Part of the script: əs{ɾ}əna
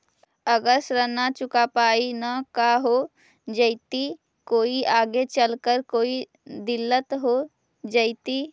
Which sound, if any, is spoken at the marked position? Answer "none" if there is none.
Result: ɾ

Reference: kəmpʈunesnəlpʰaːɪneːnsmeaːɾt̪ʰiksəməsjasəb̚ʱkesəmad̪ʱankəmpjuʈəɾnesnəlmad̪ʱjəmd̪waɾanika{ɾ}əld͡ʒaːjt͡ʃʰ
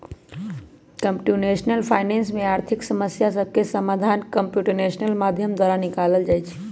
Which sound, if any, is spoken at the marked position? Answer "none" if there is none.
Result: l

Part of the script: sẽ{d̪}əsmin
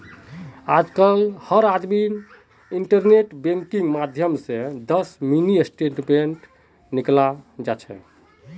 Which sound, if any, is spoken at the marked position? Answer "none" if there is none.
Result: d̪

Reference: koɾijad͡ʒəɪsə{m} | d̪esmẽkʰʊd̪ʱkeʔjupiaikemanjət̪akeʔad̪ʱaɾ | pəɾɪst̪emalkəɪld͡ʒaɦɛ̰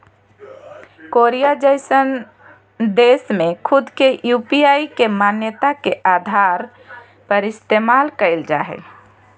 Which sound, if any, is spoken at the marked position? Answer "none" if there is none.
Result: n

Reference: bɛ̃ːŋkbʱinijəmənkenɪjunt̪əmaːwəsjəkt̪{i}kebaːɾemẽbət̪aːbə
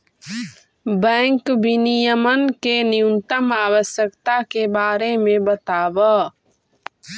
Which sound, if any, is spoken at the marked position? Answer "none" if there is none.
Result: a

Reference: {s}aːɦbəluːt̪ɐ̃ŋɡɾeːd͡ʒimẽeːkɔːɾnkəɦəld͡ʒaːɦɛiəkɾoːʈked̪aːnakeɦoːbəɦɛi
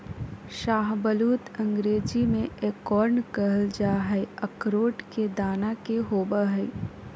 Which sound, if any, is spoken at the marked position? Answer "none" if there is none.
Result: ʃ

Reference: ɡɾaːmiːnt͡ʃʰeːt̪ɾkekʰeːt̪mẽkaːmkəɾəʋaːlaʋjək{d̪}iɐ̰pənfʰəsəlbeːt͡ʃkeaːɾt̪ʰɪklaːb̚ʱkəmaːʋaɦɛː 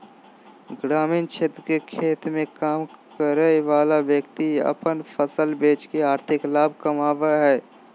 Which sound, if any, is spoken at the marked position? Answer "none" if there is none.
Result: t̪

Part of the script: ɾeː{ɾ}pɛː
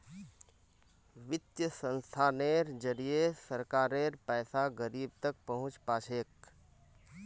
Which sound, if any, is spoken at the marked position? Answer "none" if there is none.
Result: ɾ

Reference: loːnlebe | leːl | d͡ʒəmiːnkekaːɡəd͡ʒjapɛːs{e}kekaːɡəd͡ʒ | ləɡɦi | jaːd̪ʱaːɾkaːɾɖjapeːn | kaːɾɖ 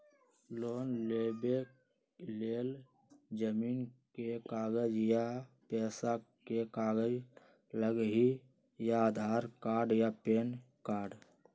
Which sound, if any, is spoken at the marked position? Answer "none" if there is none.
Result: a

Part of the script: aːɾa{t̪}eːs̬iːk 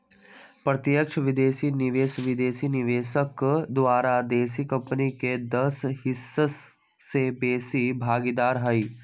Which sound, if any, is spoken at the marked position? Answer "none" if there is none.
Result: d̪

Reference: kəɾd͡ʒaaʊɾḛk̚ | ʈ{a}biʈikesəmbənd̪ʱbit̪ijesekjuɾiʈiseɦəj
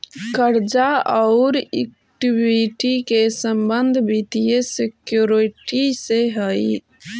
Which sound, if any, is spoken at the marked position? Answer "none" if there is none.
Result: i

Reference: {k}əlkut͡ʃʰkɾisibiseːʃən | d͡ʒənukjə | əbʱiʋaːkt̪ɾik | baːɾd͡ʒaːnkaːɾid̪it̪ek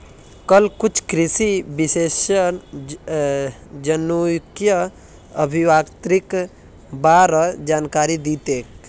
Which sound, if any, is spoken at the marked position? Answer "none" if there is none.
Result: k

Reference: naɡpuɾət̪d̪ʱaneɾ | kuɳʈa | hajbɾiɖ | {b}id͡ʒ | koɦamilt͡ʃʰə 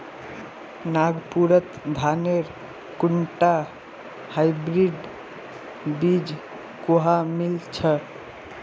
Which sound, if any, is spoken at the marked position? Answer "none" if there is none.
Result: b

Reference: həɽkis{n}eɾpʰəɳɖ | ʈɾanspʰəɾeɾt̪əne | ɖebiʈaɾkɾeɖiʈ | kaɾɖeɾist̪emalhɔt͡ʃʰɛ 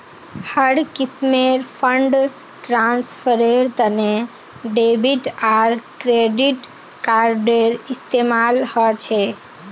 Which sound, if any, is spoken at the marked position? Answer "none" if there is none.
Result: m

